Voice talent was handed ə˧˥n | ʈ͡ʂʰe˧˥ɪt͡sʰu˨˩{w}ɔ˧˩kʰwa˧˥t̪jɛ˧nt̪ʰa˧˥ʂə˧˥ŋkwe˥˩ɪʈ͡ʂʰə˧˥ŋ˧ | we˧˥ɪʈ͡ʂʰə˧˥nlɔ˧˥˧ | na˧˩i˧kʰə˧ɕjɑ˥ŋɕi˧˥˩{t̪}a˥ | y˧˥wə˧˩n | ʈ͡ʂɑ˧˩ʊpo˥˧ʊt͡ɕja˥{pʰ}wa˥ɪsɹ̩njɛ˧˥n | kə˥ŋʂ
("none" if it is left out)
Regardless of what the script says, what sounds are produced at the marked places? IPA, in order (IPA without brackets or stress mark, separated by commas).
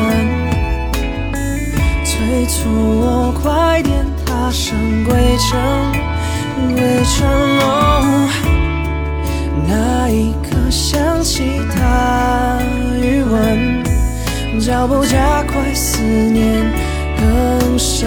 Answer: w, t̪ʰ, kʰ